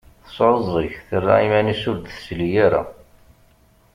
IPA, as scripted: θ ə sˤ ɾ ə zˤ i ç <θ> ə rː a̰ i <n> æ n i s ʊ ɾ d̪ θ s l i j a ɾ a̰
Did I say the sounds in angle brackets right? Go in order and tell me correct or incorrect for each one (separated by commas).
correct, incorrect